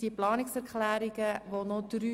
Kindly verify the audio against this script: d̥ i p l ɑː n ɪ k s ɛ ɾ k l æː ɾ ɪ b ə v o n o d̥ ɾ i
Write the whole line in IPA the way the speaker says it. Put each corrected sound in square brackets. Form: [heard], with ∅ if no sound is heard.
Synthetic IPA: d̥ i p l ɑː n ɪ k s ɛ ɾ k l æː ɾ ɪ [ɡ] ə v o n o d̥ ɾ [y]